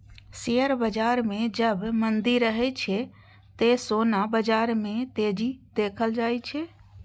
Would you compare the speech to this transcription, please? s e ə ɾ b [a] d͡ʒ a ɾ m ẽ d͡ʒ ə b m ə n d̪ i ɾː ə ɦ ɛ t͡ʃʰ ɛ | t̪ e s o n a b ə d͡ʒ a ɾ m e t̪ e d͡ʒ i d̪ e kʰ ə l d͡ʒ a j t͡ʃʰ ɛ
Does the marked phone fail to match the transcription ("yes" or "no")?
yes